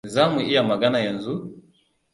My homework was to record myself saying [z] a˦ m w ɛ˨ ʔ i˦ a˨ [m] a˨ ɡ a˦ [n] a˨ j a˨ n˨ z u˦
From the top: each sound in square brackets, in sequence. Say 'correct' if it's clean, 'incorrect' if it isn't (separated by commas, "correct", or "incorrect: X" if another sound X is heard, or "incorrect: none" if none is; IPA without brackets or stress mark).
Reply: correct, correct, correct